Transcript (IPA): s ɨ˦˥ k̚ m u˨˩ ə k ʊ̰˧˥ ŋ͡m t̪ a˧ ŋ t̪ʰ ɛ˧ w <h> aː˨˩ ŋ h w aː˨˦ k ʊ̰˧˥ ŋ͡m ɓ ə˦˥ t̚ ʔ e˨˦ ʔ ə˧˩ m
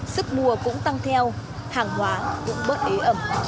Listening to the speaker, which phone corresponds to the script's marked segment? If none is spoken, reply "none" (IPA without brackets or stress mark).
h